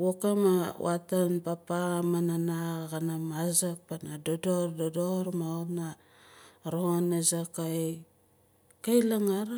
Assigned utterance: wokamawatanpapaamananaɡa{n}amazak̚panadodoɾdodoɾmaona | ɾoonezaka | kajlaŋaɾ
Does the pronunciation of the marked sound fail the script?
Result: no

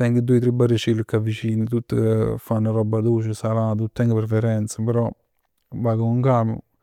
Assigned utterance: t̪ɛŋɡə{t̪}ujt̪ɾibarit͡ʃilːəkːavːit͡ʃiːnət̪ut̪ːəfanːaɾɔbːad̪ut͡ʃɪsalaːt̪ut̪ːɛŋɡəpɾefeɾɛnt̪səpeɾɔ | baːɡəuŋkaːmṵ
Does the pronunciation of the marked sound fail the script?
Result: yes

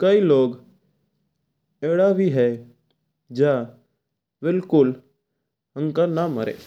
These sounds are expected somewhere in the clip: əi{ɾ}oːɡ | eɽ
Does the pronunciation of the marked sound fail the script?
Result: yes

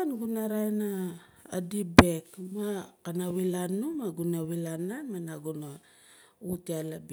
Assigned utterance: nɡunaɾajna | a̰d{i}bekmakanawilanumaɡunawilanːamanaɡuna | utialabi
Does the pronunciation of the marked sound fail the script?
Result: no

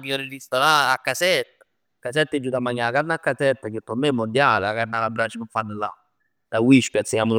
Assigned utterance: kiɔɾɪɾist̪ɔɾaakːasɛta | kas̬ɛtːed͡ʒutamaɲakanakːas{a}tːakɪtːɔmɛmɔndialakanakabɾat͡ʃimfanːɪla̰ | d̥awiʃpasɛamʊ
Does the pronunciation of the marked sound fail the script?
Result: yes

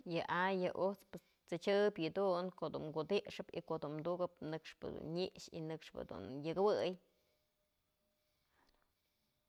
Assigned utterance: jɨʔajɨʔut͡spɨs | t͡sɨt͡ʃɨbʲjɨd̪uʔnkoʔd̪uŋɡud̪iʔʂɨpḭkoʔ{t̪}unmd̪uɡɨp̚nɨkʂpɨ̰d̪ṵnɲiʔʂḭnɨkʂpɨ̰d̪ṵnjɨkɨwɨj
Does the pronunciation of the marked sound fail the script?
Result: yes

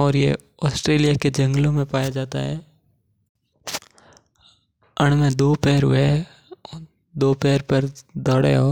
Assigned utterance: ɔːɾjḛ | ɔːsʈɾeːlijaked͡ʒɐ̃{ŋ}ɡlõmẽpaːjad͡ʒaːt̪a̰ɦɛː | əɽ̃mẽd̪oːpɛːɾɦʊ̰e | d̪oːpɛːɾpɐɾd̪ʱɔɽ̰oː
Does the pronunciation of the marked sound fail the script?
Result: no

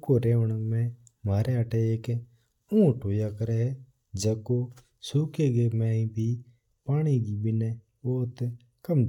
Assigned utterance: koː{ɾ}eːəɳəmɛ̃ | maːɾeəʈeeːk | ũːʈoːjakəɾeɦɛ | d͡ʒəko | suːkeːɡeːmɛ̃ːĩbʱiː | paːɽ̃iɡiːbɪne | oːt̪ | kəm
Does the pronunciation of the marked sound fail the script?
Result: no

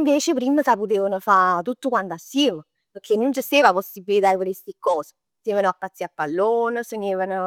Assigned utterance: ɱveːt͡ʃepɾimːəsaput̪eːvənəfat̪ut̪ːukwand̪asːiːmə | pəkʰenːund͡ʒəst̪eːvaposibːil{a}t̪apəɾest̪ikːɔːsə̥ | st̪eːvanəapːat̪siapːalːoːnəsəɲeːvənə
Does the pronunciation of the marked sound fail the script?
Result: yes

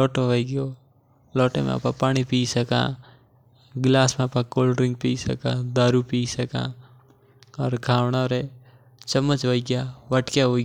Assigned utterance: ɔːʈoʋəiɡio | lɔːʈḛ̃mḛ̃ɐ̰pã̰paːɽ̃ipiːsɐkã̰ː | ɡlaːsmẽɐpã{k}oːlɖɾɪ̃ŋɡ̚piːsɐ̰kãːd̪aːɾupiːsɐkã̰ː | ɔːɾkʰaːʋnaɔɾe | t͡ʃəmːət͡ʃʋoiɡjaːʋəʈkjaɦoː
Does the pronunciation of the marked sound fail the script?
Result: no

